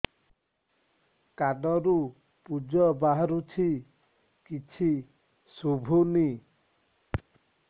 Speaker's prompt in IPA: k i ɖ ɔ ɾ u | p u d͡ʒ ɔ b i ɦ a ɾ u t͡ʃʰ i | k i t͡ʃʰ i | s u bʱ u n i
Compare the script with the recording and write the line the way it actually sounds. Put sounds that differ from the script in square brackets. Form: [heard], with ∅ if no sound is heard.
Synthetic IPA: k [a] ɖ ɔ ɾ u | p u d͡ʒ ɔ b [a] ɦ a ɾ u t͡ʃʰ i | k i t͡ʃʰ i | s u bʱ u n i